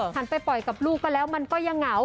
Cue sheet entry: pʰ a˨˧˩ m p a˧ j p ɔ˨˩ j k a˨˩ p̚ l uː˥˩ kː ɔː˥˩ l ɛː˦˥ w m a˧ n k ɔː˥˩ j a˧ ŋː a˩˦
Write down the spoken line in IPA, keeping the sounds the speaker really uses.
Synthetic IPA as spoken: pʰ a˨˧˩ n p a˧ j p ɔ˨˩ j k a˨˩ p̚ l uː˥˩ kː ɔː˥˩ l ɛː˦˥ w m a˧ n k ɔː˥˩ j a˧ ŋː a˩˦